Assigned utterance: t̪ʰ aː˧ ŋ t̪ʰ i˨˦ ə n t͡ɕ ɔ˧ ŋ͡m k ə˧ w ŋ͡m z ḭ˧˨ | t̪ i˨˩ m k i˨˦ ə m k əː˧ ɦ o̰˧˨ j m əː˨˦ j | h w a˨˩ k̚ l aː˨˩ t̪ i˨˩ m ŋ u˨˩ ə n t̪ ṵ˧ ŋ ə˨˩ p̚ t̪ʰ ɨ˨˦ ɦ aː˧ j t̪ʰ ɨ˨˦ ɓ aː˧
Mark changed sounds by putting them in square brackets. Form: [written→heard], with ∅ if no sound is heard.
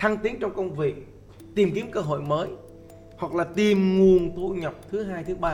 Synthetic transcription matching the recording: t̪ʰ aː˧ ŋ [t̪ʰ→t̪] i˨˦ ə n t͡ɕ ɔ˧ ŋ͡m k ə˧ w ŋ͡m [z→v] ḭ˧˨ | t̪ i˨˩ m k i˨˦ ə m k əː˧ ɦ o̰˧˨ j m əː˨˦ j | h w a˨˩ k̚ l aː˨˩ t̪ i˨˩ m ŋ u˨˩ ə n t̪ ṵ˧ [ŋ→ɲ] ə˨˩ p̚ t̪ʰ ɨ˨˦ ɦ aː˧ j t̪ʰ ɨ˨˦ ɓ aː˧